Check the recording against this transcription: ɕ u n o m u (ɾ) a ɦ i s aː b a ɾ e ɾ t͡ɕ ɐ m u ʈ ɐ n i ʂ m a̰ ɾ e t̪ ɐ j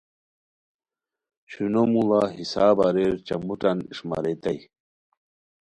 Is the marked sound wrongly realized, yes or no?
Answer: yes